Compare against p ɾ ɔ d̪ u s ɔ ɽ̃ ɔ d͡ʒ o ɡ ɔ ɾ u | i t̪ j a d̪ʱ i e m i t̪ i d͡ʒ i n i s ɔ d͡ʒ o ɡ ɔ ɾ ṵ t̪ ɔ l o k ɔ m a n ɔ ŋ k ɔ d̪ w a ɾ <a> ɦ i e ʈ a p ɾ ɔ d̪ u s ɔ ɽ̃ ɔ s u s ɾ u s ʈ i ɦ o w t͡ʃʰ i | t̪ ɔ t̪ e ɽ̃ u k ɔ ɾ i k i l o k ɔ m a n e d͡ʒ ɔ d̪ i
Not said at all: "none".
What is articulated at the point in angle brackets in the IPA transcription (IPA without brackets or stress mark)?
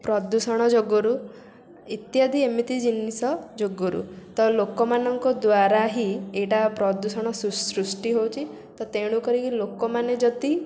a